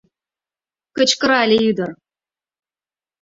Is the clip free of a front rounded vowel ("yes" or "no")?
no